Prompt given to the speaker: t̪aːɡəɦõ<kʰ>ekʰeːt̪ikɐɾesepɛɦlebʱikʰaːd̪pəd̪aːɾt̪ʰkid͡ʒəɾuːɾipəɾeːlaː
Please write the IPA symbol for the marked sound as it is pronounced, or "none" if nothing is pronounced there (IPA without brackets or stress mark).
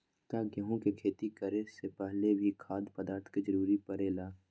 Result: k